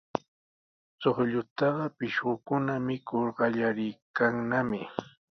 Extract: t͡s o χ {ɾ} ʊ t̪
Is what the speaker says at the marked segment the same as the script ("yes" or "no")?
no